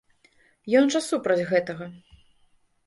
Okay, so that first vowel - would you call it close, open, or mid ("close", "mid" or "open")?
mid